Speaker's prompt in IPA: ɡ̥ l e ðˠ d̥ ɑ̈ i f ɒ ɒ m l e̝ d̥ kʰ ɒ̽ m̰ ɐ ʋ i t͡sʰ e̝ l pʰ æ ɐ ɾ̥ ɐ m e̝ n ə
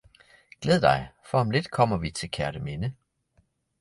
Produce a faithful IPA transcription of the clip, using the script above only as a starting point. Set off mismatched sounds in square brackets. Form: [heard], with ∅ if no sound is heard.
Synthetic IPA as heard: ɡ̥ l e ðˠ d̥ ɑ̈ [ɪ] f ɒ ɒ m l e̝ d̥ kʰ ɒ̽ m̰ ɐ ʋ i t͡sʰ e̝ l [kʰ] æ ɐ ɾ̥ [ə] m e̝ n ə